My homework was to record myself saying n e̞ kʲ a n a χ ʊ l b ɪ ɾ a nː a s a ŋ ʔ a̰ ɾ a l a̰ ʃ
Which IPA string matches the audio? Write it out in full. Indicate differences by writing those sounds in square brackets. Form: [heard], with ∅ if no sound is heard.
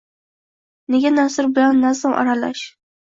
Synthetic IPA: n e̞ [ɡʲ] a n a [s] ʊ [ɾ] b ɪ [l] a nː a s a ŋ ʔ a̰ ɾ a l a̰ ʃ